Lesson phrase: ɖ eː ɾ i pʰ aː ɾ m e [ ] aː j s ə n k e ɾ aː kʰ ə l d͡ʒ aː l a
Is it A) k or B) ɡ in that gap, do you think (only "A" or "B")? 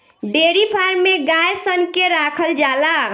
B